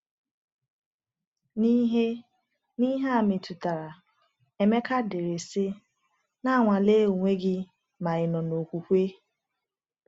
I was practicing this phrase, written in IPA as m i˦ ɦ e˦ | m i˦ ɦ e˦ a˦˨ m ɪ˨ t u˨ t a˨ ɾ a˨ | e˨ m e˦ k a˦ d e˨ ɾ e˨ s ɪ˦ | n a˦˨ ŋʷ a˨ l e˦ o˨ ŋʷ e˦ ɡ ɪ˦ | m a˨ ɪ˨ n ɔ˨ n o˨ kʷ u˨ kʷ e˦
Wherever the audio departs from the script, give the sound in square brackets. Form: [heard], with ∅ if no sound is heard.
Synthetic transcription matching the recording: [n] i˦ ɦ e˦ | [n] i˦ ɦ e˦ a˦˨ m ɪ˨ t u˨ t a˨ ɾ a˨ | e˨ m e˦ k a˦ d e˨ ɾ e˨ s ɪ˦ | n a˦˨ ŋʷ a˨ l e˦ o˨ ŋʷ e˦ ɡ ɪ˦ | m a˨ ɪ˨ n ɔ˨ n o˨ kʷ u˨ kʷ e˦